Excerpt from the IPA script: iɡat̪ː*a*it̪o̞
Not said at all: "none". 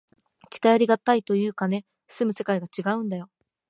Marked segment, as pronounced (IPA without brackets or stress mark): a